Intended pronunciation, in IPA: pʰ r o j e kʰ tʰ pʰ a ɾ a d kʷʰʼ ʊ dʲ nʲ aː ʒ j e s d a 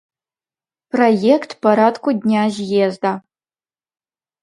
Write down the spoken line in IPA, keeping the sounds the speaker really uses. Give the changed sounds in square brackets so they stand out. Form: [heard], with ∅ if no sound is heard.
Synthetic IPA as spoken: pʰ r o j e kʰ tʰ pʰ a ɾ a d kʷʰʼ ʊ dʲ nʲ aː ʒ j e [z] d a